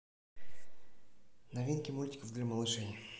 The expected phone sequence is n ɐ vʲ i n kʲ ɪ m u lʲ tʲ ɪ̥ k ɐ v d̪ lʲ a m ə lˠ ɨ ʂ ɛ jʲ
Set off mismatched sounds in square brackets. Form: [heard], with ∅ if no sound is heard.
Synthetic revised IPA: n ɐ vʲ i n kʲ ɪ m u lʲ tʲ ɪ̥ k [ə] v d̪ lʲ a m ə lˠ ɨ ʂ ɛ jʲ